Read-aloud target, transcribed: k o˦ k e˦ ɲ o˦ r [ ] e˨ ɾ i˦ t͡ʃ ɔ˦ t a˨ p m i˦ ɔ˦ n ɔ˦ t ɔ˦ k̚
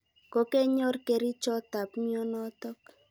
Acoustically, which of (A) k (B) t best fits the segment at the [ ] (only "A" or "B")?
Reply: A